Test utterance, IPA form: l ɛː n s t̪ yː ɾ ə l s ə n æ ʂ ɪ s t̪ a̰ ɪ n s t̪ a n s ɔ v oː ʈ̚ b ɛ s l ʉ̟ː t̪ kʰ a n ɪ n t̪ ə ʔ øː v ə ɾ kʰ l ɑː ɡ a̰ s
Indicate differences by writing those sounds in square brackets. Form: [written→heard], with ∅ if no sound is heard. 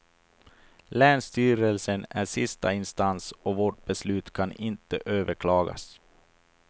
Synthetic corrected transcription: l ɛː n s t̪ yː ɾ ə l s ə n æ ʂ ɪ s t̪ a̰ ɪ n s t̪ a n s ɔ v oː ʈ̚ b ɛ s l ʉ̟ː t̪ kʰ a n ɪ n t̪ ə ʔ øː v ə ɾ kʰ l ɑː ɡ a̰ s